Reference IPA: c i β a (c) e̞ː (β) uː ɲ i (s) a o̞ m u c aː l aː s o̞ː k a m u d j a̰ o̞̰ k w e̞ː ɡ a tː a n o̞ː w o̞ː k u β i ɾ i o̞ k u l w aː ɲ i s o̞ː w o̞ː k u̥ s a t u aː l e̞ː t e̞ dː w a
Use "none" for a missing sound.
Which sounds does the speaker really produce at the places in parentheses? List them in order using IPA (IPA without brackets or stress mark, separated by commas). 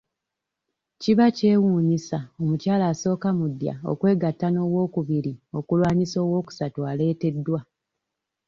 c, w, s